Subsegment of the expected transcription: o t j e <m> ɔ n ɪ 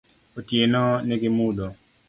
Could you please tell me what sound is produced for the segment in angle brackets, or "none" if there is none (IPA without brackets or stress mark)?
n